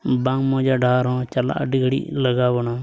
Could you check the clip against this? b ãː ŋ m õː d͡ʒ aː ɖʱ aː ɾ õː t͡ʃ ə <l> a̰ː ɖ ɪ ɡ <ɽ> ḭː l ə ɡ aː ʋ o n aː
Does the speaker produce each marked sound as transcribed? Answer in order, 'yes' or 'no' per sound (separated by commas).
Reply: yes, yes